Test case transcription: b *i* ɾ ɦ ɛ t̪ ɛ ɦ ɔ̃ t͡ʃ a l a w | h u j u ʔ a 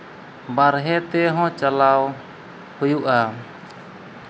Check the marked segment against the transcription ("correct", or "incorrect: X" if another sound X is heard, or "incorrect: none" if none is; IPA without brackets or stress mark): incorrect: a